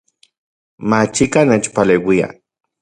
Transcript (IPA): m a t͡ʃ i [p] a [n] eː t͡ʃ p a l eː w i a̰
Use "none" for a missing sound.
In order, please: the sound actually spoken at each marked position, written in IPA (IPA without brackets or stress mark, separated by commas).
k, n